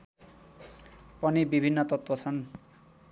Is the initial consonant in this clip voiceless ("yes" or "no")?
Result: yes